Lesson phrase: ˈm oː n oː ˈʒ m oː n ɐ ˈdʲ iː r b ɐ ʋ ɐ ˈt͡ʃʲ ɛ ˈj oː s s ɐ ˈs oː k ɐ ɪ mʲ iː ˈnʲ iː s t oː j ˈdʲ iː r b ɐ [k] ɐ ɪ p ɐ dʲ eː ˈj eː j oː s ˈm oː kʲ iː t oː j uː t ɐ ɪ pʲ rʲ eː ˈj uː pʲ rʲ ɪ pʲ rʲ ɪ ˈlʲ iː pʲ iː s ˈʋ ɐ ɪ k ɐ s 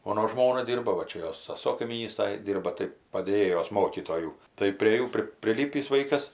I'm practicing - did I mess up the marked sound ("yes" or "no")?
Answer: yes